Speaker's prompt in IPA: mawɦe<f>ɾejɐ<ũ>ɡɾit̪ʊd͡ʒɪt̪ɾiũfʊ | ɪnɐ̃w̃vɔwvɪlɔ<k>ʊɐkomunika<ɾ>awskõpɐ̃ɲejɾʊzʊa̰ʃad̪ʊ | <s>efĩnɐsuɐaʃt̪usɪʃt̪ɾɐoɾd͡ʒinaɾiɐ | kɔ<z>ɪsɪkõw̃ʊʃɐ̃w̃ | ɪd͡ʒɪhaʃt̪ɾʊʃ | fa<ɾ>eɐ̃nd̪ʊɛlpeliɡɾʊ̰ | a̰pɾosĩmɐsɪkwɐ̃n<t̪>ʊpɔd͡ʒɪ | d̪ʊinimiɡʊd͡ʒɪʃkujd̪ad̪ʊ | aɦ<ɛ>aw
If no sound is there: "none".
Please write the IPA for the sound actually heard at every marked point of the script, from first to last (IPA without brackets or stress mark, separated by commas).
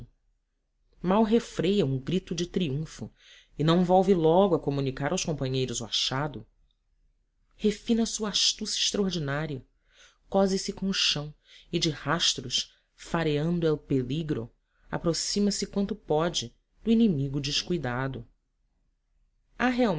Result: f, ũ, ɡ, ɾ, h, z, ɾ, t̪, e